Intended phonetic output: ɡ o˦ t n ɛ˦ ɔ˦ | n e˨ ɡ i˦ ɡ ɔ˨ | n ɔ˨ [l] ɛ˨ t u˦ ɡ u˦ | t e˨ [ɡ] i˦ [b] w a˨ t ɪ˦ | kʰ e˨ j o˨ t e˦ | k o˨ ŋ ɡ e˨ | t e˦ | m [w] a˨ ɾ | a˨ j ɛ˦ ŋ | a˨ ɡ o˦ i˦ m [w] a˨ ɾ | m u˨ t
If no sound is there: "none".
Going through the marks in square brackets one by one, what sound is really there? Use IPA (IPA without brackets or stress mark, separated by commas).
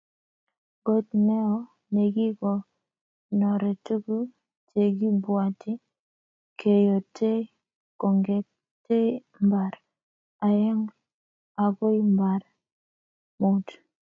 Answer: ɾ, ɡ, b, b, b